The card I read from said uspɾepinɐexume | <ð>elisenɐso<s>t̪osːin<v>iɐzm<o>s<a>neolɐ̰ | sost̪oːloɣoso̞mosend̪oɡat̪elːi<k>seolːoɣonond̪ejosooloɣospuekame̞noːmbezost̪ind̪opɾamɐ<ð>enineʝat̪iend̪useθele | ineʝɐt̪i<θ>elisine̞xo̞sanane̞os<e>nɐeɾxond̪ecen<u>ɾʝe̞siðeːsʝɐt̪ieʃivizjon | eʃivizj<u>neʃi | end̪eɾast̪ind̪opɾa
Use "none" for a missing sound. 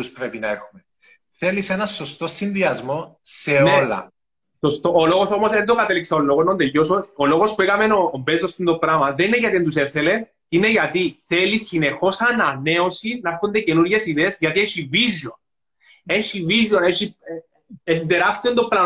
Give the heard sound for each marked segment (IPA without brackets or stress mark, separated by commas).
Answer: θ, s, ð, o, e, k, ð, θ, i, u, o